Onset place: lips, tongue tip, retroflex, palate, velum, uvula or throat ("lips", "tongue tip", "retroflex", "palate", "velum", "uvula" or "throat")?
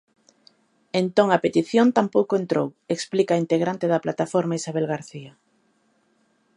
tongue tip